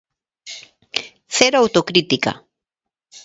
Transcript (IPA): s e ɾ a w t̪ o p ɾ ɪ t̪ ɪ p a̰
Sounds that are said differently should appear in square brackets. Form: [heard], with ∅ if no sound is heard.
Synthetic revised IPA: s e ɾ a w t̪ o [k] ɾ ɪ t̪ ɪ [k] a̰